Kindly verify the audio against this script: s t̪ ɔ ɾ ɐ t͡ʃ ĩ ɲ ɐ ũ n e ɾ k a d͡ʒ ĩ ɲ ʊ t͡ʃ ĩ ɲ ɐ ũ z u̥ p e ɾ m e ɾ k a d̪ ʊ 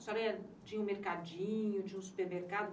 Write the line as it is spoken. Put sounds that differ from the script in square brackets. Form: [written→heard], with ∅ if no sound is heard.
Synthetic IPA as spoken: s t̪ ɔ ɾ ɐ t͡ʃ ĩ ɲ ɐ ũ [n→m] e ɾ k a d͡ʒ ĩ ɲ ʊ t͡ʃ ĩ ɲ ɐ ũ [z→s] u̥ p e ɾ m e ɾ k a d̪ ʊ